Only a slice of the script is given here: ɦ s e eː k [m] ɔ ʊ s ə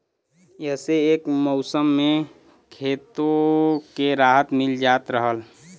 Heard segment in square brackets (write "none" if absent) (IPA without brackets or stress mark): m